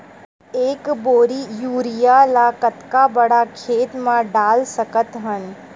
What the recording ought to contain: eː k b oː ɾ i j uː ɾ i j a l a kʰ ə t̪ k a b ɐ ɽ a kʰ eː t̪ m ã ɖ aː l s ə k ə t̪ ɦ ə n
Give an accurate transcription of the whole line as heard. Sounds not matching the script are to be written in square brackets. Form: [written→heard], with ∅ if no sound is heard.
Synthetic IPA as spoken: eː k b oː ɾ i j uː ɾ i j a l a [kʰ→k] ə t̪ k a b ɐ ɽ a kʰ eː t̪ m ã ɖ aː l s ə k ə t̪ ɦ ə n